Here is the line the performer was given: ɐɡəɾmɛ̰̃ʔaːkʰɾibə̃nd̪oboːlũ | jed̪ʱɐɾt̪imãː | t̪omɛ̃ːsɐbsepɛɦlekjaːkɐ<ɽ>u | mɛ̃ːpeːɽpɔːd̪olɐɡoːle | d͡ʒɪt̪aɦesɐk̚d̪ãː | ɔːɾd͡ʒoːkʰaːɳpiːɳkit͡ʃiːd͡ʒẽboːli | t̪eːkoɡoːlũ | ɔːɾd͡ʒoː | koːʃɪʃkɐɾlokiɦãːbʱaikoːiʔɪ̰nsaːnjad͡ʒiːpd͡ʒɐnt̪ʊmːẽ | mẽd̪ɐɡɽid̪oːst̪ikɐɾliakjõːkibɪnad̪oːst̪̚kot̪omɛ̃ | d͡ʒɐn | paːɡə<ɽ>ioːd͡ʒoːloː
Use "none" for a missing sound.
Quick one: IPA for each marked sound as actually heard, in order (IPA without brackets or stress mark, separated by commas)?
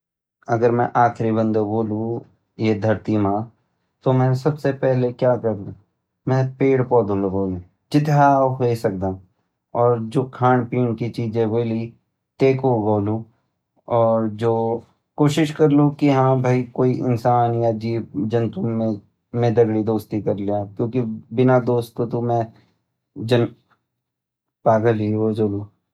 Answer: ɾ, l